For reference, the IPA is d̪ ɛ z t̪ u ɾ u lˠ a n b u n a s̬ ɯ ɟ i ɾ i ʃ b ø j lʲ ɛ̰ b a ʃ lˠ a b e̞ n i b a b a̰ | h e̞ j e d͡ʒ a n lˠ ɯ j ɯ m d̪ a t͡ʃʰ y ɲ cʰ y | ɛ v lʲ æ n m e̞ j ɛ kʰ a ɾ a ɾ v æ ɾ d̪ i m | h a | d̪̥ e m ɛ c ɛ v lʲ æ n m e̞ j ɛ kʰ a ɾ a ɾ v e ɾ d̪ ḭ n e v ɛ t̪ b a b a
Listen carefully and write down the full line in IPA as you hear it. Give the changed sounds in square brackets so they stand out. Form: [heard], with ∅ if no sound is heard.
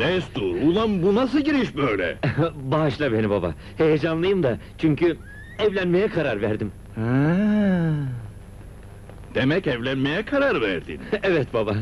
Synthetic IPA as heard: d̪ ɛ [s] t̪ u ɾ u lˠ a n b u n a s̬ ɯ ɟ i ɾ i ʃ b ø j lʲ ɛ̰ b a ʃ lˠ a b e̞ n i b a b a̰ | h e̞ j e d͡ʒ a n lˠ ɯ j ɯ m d̪ a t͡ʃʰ y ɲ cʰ y | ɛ v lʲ æ n m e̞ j ɛ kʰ a ɾ a ɾ v æ ɾ d̪ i m | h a | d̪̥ e m ɛ c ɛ v lʲ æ n m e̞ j ɛ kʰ a ɾ a ɾ v [æ] ɾ d̪ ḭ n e v ɛ t̪ b a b a